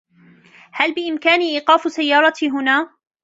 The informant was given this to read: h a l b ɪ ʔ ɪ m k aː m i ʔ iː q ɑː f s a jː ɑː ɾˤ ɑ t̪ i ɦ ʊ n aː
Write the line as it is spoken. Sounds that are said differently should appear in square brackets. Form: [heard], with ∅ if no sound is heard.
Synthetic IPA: h a l b ɪ ʔ ɪ m k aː [n] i ʔ iː q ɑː f s a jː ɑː ɾˤ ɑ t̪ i ɦ ʊ n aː